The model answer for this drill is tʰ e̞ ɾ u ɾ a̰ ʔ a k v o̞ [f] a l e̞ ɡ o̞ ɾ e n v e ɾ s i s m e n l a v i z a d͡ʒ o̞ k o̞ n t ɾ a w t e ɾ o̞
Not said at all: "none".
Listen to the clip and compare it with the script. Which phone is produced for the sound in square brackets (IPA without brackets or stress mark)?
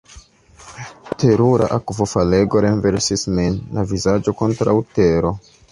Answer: f